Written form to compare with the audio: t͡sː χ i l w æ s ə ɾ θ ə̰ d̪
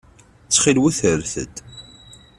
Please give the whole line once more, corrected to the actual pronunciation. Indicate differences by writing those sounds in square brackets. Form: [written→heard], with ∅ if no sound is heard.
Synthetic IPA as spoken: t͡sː χ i l w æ [s→θ] ə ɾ θ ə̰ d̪